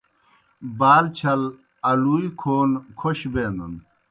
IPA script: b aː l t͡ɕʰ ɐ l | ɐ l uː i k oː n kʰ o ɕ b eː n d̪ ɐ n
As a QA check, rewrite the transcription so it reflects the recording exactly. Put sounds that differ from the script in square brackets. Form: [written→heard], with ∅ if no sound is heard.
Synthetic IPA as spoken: b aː l t͡ɕʰ ɐ l | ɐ l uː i [k→kʰ] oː n kʰ o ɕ b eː n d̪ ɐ n